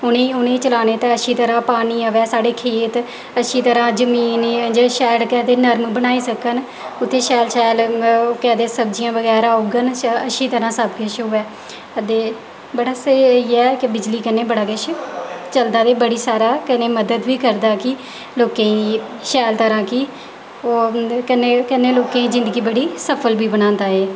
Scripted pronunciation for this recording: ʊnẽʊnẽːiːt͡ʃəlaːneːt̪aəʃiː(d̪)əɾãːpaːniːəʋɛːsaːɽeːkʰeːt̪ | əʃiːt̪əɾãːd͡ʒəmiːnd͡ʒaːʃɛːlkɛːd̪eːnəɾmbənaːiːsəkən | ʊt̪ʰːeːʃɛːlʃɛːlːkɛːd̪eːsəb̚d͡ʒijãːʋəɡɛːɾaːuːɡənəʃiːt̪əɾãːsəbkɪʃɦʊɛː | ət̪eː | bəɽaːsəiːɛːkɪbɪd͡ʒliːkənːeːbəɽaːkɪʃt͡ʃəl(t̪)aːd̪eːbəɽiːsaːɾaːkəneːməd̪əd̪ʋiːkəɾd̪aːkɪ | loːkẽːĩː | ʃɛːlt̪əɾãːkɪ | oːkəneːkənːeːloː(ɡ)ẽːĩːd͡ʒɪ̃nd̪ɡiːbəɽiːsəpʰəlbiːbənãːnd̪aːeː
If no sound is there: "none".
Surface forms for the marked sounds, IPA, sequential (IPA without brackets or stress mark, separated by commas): t̪, d̪, k